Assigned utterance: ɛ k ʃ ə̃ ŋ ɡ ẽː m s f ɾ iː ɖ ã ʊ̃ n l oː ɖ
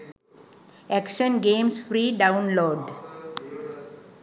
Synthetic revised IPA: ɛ k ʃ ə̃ n ɡ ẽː m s f ɾ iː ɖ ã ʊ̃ n l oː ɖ